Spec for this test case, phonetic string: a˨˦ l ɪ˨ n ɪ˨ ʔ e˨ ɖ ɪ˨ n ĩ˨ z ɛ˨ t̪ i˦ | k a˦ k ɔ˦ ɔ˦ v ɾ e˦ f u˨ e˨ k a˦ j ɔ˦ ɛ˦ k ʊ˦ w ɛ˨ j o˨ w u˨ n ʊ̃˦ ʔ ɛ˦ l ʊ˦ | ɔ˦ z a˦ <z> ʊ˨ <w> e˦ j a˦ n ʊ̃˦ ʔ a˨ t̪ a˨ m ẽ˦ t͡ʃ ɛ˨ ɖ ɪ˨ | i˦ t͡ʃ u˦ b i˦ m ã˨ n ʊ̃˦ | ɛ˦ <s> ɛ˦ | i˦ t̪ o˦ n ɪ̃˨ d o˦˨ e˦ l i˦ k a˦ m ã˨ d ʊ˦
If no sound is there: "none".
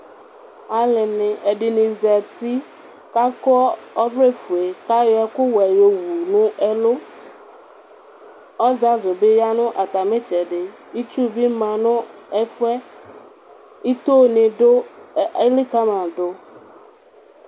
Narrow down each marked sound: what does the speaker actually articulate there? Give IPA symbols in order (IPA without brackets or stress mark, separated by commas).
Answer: z, b, f